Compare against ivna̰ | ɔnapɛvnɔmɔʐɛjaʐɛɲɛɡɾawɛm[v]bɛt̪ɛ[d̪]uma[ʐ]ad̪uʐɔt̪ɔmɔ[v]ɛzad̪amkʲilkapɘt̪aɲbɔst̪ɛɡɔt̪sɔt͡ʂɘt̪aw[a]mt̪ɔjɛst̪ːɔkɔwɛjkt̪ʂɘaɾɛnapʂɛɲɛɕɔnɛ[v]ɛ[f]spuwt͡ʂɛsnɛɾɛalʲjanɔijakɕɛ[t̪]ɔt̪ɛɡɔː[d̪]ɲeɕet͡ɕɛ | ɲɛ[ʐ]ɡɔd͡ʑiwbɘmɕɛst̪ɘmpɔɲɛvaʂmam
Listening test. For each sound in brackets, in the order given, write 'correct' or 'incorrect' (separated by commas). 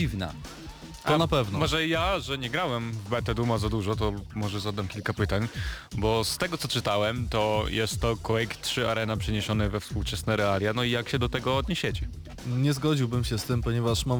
correct, correct, incorrect, incorrect, incorrect, correct, correct, incorrect, correct, incorrect